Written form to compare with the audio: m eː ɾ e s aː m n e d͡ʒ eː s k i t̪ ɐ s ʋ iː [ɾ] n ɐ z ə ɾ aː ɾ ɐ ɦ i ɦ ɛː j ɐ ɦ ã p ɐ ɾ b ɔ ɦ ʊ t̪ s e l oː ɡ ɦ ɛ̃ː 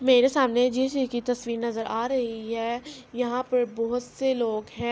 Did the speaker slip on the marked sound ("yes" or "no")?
no